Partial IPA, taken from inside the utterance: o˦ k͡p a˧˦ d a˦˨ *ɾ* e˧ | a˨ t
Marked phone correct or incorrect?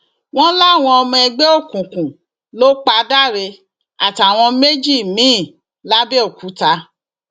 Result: correct